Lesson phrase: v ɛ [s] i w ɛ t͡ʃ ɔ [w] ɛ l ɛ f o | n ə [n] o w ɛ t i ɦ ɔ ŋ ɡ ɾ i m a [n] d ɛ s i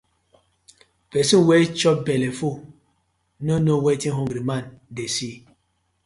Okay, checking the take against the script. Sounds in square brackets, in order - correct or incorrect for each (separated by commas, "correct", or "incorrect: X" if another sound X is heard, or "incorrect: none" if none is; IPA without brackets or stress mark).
correct, incorrect: b, correct, correct